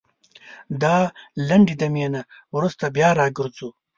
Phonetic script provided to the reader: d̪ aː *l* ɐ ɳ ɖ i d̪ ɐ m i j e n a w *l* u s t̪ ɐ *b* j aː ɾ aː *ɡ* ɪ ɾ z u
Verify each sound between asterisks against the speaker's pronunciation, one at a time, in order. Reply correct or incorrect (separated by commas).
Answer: correct, incorrect, correct, correct